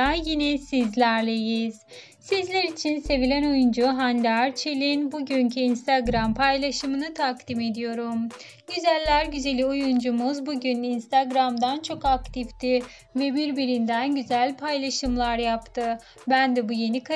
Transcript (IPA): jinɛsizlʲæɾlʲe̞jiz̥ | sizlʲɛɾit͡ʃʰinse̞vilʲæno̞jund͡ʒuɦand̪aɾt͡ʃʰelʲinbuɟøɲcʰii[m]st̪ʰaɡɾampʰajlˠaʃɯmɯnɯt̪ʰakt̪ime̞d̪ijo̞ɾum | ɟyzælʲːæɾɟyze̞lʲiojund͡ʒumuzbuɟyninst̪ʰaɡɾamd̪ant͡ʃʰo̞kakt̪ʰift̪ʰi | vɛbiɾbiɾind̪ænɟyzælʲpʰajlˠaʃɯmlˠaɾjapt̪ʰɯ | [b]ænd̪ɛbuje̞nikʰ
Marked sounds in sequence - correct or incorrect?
incorrect, correct

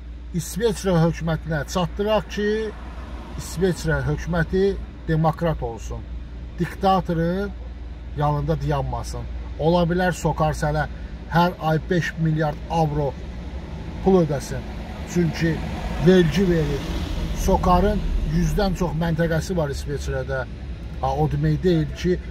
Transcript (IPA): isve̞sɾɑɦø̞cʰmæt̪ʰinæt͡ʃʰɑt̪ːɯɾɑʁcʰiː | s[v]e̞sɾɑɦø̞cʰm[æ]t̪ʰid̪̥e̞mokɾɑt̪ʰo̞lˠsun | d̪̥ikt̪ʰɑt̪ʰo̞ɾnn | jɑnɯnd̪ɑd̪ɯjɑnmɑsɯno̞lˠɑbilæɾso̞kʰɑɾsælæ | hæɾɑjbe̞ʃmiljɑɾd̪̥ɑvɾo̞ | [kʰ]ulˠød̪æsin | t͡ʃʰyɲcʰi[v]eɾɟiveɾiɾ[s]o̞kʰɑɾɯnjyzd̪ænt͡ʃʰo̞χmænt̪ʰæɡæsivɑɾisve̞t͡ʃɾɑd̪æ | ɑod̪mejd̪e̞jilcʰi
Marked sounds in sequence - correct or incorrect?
correct, correct, incorrect, correct, correct

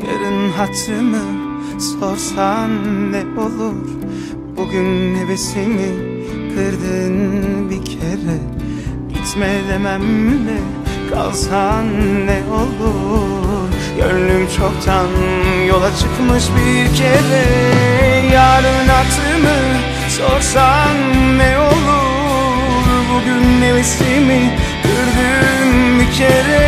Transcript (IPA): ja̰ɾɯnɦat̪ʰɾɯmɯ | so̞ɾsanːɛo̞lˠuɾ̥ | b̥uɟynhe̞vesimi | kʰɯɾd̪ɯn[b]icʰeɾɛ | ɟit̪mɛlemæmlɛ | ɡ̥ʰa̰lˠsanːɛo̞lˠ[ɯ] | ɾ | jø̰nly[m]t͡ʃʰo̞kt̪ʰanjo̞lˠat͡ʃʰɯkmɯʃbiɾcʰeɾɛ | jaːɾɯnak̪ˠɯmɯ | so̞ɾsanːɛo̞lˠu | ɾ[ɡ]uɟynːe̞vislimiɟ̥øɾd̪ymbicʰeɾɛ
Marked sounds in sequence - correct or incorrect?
correct, incorrect, correct, incorrect

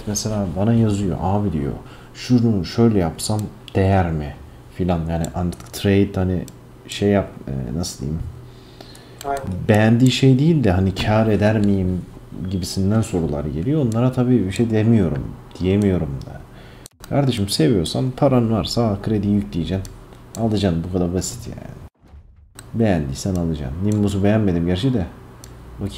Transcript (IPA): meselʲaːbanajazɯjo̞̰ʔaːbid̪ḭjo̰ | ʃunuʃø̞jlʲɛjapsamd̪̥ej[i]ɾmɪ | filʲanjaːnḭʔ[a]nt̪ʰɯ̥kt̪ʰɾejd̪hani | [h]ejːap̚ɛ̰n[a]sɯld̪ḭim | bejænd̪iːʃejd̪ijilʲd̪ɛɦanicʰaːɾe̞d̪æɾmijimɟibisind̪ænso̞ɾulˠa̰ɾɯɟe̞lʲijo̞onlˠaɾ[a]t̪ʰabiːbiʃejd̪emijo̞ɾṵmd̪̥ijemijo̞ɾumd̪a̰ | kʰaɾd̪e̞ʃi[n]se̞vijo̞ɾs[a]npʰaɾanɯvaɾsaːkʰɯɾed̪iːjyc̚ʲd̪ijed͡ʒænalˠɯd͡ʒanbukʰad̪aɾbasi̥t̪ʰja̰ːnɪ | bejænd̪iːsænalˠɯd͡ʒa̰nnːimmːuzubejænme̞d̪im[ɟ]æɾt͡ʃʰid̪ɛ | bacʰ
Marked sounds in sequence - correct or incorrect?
incorrect, correct, incorrect, correct, correct, incorrect, correct, correct

